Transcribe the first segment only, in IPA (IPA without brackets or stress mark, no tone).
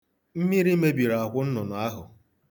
m̩